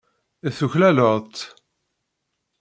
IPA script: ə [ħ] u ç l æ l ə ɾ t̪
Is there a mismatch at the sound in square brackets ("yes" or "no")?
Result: yes